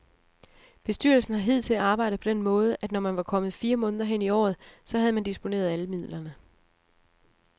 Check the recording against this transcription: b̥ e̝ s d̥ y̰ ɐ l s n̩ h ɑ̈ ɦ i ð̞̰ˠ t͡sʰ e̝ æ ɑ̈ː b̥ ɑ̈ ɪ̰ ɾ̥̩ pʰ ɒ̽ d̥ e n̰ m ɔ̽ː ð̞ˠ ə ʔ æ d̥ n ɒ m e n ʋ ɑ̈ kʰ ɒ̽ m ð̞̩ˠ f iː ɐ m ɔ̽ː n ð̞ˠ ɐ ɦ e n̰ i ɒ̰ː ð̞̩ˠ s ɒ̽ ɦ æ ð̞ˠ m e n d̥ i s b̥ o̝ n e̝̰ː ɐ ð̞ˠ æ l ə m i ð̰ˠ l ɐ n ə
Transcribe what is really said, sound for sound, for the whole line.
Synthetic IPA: b̥ e̝ s d̥ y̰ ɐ l s n̩ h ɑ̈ ɦ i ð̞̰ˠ t͡sʰ e̝ æ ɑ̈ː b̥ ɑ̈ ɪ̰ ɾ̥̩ pʰ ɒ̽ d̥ e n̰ m ɔ̽ː ð̞ˠ ə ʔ æ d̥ n ɒ m æ n ʋ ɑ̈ kʰ ɒ̽ m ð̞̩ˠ f iː ɐ m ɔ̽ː n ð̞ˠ ɐ ɦ e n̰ i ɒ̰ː ð̞̩ˠ s ɒ̽ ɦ æ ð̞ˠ m æ n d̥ i s b̥ o̝ n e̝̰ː ɐ ð̞ˠ æ l ə m i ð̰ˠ l ɐ n ə